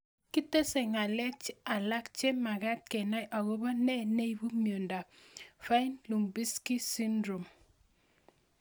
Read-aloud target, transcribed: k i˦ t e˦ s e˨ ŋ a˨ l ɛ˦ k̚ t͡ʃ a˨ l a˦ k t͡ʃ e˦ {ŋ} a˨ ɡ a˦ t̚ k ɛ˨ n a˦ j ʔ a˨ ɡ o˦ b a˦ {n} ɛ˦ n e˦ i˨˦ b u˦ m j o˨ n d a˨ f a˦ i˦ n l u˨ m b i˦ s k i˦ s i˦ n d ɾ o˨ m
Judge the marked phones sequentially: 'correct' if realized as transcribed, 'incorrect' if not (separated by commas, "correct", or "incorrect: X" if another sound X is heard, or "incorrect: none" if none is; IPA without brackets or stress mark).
incorrect: m, correct